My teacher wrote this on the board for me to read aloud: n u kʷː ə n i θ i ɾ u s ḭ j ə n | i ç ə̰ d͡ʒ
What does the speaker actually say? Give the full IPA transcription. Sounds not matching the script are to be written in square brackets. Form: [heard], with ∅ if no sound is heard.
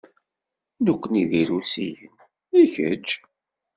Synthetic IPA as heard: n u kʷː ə n i [ð] i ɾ u s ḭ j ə n | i ç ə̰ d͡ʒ